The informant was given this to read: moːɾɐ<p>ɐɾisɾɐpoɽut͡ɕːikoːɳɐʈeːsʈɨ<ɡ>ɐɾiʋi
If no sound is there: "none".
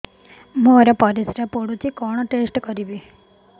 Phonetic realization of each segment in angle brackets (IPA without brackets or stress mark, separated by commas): p, k